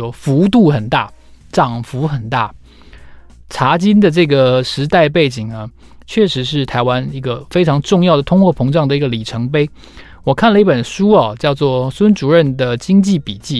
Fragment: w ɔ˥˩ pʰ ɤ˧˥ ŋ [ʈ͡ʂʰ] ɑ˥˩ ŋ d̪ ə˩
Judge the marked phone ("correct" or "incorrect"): incorrect